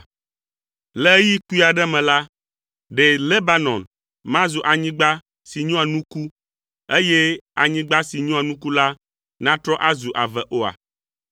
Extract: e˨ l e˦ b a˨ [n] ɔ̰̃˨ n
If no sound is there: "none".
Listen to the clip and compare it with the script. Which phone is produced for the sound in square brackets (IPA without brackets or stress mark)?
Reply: n